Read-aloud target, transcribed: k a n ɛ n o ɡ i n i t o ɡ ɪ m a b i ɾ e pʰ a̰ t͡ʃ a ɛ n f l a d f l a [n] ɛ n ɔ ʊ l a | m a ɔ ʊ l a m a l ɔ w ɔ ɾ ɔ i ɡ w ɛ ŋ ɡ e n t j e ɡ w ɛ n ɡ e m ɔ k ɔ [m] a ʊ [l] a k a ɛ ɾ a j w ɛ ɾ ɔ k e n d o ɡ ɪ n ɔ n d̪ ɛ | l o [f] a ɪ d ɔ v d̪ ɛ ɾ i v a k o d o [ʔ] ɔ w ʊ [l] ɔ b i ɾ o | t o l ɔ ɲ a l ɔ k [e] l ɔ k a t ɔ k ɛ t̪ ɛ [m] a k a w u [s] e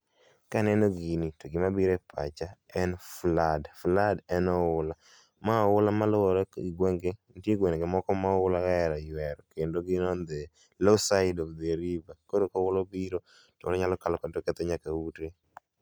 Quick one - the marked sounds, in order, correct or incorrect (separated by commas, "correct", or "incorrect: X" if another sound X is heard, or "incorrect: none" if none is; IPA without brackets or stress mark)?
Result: incorrect: d, correct, correct, incorrect: s, incorrect: k, correct, incorrect: a, incorrect: ɲ, incorrect: t